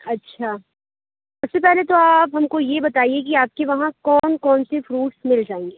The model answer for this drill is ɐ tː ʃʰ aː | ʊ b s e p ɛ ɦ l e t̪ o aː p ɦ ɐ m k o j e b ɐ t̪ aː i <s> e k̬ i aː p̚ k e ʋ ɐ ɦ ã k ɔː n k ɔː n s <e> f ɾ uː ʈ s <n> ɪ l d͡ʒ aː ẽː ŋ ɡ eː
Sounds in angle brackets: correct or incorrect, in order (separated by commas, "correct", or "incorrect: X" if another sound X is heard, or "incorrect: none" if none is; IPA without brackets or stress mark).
incorrect: none, correct, incorrect: m